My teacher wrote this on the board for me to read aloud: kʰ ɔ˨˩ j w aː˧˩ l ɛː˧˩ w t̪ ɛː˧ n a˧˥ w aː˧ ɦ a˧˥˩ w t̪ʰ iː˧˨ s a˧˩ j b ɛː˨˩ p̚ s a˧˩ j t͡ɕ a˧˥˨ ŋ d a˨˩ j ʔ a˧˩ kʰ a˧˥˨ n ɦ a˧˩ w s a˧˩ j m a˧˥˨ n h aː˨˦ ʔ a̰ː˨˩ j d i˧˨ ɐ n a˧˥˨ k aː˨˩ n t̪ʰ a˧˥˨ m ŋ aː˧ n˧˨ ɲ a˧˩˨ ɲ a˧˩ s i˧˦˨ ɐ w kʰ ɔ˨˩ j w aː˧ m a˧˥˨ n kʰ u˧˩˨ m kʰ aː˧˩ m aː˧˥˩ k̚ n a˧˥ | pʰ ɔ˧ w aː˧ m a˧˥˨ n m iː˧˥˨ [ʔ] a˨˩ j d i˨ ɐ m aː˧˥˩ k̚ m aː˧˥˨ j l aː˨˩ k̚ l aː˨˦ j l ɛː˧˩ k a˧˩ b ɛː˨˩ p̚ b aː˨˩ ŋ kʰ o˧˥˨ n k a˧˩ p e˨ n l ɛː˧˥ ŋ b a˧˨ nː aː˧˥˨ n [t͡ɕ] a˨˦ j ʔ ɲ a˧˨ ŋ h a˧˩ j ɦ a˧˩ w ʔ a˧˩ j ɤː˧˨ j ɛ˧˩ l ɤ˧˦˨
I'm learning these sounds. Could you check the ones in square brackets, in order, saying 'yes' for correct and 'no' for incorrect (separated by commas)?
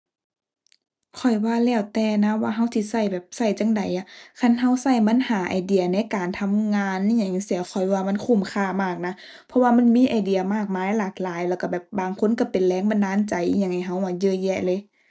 yes, yes